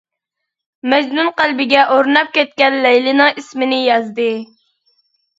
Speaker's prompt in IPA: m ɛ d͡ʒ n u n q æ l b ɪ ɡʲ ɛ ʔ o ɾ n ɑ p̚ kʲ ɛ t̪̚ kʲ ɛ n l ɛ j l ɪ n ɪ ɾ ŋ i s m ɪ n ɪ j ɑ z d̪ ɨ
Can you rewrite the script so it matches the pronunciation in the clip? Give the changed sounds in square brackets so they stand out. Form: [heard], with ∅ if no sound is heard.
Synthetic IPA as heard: m ɛ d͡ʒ n u n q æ l b ɪ ɡʲ ɛ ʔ o ɾ n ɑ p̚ kʲ ɛ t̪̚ kʲ ɛ n l ɛ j l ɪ n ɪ [∅] ŋ i s m ɪ n ɪ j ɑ z d̪ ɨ